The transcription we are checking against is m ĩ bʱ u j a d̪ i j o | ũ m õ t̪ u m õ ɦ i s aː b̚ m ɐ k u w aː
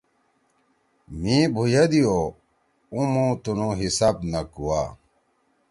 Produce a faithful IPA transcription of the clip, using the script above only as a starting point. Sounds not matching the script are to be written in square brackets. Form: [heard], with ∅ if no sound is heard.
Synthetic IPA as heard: m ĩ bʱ u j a d̪ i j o | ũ m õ t̪ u [n] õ ɦ i s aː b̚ [n] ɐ k u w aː